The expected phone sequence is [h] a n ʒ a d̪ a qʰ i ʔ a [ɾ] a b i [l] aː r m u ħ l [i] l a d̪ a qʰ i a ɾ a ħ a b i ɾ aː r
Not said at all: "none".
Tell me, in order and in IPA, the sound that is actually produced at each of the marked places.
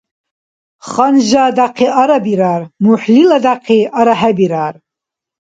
χ, ɾ, ɾ, i

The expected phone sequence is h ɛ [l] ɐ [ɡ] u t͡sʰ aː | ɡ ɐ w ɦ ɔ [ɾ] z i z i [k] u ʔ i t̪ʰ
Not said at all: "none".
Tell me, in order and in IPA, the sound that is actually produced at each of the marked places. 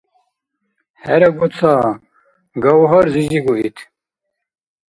ɾ, ɡ, ɾ, ɡ

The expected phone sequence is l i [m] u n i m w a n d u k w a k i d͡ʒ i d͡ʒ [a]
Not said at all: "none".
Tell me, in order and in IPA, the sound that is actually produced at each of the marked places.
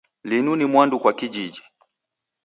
n, i

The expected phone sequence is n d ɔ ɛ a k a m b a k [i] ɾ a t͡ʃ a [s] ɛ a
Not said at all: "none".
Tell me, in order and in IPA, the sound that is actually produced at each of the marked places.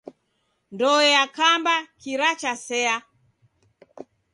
i, s

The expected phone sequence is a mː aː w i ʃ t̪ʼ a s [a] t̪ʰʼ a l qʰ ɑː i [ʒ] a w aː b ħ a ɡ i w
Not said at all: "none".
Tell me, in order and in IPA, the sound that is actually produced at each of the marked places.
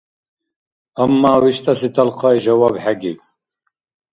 i, ʒ

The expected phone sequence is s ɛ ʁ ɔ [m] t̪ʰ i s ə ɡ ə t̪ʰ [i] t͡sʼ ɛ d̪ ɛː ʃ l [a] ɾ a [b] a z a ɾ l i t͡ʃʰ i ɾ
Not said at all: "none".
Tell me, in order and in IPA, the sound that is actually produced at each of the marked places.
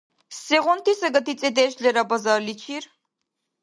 n, i, ɛ, b

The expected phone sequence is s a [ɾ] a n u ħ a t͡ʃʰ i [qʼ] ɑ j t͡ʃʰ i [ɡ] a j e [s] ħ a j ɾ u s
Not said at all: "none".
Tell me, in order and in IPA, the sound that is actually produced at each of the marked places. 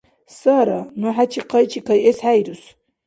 ɾ, q, k, s

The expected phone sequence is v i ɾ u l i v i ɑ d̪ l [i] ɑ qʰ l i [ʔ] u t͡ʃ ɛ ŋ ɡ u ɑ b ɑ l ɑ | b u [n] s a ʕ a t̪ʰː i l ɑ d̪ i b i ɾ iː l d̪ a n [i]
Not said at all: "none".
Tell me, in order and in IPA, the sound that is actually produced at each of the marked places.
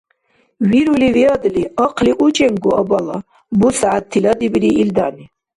i, ʔ, none, i

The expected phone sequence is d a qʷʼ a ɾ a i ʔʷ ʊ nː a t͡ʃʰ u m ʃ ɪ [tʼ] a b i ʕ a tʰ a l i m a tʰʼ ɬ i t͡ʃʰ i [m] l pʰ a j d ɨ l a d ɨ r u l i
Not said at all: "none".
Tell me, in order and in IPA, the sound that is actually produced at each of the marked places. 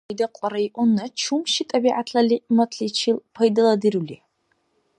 tʼ, none

